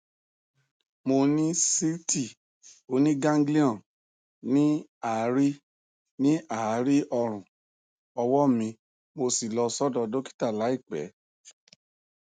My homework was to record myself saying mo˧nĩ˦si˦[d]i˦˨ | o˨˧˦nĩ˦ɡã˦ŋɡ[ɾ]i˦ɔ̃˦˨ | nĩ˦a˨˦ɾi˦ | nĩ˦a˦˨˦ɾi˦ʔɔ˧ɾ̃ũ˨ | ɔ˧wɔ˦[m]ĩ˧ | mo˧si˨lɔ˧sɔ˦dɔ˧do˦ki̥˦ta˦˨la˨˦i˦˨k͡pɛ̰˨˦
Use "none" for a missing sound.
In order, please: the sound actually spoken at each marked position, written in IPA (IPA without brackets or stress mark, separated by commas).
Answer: t, l, m